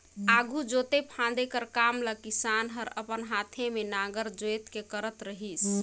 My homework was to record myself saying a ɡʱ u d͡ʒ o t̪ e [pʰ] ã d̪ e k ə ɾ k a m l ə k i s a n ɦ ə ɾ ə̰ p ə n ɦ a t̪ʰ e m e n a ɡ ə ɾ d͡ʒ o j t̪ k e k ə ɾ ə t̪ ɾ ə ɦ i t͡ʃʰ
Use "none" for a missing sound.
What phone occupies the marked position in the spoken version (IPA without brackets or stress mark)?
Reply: pʰ